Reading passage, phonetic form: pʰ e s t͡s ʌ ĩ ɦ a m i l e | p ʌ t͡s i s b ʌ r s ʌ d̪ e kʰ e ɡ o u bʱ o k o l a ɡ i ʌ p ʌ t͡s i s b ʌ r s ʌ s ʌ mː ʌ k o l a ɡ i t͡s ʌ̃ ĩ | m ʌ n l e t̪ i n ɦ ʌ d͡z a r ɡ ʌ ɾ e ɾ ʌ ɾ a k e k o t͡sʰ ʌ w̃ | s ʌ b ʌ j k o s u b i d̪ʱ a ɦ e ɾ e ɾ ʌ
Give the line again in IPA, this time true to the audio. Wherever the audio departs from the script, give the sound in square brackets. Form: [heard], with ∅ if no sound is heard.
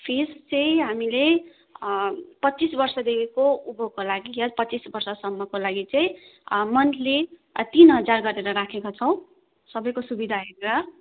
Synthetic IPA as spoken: pʰ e s t͡s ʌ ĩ ɦ a m i l e | p ʌ t͡s i s b ʌ r s ʌ d̪ e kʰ e [k] o u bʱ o k o l a ɡ i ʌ p ʌ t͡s i s b ʌ r s ʌ s ʌ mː ʌ k o l a ɡ i t͡s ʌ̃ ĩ | m ʌ n l e t̪ i n ɦ ʌ d͡z a r ɡ ʌ ɾ e ɾ ʌ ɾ a [kʰ] e k o t͡sʰ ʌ w̃ | s ʌ b ʌ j k o s u b i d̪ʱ a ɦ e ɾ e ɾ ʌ